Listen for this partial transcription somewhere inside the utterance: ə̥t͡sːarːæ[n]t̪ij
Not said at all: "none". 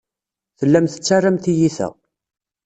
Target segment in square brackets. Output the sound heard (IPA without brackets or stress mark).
m